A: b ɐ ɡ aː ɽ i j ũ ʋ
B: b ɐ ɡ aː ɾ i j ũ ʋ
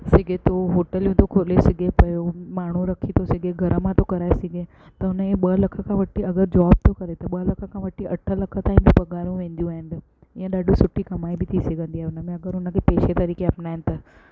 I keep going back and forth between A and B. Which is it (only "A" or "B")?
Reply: B